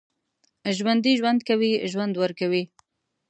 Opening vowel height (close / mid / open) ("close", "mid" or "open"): open